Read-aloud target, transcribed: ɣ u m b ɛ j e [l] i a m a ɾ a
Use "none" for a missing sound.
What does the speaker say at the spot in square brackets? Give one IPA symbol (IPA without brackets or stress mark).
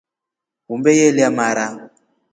l